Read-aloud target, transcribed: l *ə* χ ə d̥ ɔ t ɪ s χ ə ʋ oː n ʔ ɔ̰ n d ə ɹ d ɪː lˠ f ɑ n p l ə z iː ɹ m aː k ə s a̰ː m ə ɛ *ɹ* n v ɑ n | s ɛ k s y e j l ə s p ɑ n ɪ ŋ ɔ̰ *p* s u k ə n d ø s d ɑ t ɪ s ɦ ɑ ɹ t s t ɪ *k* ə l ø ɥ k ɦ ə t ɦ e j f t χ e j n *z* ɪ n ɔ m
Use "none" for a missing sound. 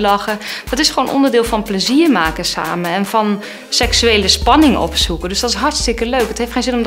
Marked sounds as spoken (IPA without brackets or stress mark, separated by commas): ɑ, none, p, k, z